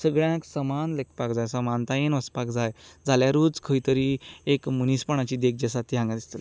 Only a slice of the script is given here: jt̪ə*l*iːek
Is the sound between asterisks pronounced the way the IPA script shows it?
no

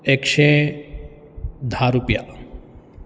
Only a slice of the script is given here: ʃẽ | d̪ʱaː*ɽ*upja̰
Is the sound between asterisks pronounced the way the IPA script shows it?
no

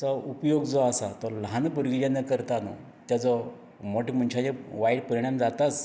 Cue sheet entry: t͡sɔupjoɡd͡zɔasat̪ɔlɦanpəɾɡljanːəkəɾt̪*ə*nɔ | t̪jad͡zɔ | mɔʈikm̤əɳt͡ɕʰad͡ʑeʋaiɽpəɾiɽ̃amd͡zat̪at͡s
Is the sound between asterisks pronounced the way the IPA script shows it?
no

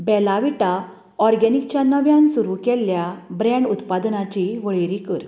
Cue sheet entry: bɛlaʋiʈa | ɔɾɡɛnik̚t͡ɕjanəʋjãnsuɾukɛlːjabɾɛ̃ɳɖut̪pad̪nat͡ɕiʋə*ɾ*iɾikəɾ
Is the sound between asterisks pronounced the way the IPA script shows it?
no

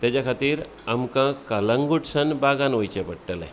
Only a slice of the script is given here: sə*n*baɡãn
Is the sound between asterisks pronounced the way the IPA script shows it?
yes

